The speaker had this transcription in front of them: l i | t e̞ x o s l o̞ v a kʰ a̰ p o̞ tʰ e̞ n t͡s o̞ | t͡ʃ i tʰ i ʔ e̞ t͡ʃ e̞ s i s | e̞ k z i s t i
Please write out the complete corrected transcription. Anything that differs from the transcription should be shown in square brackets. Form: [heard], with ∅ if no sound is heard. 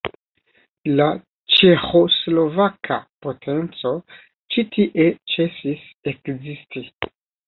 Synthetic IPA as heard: l [a] | [t͡ʃ] e̞ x o s l o̞ v a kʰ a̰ p o̞ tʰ e̞ n t͡s o̞ | t͡ʃ i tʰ i ʔ e̞ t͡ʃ e̞ s i s | e̞ k z i s t i

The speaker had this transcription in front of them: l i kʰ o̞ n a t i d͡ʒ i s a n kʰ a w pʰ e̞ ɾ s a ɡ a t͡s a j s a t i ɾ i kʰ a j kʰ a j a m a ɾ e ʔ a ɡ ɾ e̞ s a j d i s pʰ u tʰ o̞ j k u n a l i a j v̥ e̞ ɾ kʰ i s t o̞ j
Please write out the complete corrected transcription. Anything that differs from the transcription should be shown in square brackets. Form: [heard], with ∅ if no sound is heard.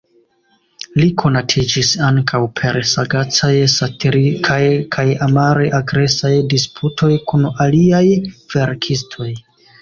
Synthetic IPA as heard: l i kʰ o̞ n a [tʰ] i d͡ʒ i s a [ŋ] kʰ a w pʰ e̞ ɾ s a ɡ a t͡s a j s a t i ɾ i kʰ a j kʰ a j a m a ɾ e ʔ a ɡ ɾ e̞ s a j d i s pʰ u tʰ o̞ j k u n a l i a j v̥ e̞ ɾ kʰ i s [tʰ] o̞ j

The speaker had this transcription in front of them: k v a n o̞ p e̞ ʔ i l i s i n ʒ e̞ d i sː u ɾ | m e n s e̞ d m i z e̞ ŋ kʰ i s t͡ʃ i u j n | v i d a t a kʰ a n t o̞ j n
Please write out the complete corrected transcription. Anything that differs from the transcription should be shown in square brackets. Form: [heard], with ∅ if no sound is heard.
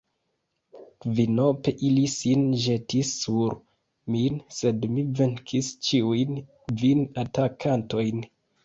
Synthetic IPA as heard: k v [i] n o̞ p e̞ ʔ i l i s i n ʒ e̞ [t] i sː u ɾ | m [i] n s e̞ d m i [v] e̞ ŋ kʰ i s t͡ʃ i u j n | v i [n] a t a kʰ a n t o̞ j n

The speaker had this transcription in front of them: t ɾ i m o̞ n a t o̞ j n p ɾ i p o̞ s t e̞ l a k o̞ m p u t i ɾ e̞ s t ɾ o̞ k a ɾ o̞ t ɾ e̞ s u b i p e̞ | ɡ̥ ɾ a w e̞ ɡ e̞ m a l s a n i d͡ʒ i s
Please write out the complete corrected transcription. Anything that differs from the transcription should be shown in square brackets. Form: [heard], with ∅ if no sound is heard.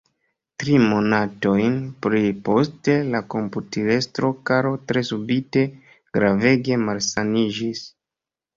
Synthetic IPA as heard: t ɾ i m o̞ n a t o̞ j n p ɾ i p o̞ s t e̞ l a k o̞ m p u t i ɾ e̞ s t ɾ o̞ k a ɾ o̞ t ɾ e̞ s u b i [t] e̞ | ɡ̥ ɾ a [v] e̞ ɡ e̞ m a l s a n i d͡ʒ i s

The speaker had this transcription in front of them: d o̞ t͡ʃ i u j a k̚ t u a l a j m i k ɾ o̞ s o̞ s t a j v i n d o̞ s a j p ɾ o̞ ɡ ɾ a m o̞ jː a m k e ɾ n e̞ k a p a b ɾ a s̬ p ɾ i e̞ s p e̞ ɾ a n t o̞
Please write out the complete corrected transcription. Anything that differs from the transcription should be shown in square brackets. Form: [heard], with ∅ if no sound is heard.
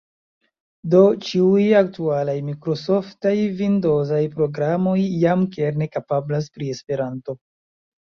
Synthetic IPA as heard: d o̞ t͡ʃ i u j a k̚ t u a l a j m i k ɾ o̞ s o̞ [f] t a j v i n d o̞ [z] a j p ɾ o̞ ɡ ɾ a m o̞ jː a m k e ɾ n e̞ k a p a b [l] a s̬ p ɾ i e̞ s p e̞ ɾ a n t o̞

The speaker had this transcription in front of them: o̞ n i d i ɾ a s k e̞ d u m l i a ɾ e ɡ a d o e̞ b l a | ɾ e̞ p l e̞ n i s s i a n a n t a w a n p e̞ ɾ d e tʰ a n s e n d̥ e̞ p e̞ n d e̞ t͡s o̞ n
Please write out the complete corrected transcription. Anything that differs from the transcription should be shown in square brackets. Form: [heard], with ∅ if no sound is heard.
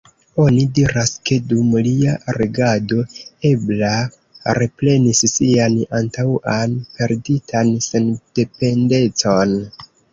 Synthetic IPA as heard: o̞ n i d i ɾ a s k e̞ d u m l i a ɾ e ɡ a d o e̞ b l a | ɾ e̞ p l e̞ n i s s i a n a n t a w a n p e̞ ɾ d [i] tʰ a n s e n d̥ e̞ p e̞ n d e̞ t͡s o̞ n

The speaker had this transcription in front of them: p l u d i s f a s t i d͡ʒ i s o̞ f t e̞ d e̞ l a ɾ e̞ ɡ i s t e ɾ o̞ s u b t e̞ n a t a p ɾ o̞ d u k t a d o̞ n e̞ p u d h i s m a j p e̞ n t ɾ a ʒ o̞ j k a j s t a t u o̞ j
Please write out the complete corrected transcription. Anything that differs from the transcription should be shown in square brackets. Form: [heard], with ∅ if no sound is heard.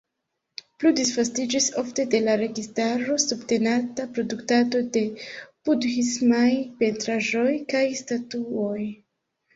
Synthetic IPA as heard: p l u d i s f a s t i d͡ʒ i s o̞ f t e̞ d e̞ l a ɾ e̞ ɡ i s t [a] ɾ o̞ s u b t e̞ n a t a p ɾ o̞ d u k t a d o̞ [d] e̞ p u d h i s m a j p e̞ n t ɾ a ʒ o̞ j k a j s t a t u o̞ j

